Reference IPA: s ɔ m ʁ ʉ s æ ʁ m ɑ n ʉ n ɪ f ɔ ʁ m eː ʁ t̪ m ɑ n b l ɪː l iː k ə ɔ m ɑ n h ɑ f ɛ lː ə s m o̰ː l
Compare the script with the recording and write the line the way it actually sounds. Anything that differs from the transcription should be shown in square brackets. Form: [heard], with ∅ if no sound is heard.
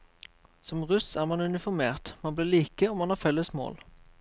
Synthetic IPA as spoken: s ɔ m ʁ ʉ s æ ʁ m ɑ n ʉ n ɪ f ɔ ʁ m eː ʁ t̪ m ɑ n b l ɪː l iː k ə ɔ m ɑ n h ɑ f ɛ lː ə s m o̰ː l